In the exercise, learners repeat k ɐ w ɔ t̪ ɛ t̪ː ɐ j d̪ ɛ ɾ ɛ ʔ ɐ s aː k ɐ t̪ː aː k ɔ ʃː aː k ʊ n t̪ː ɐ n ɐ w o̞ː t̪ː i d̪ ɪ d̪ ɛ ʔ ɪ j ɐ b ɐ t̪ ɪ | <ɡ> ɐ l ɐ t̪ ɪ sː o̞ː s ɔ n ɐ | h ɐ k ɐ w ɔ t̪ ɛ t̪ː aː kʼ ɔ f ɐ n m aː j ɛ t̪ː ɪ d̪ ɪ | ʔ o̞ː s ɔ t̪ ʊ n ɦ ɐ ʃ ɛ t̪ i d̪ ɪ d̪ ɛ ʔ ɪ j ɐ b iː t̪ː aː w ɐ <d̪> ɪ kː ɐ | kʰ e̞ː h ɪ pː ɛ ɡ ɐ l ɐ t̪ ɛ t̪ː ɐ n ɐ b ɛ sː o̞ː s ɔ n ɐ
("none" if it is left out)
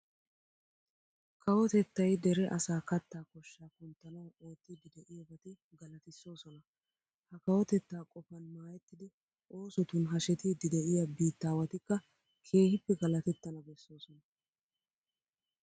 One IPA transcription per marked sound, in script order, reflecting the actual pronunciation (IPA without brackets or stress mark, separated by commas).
ɡ, t̪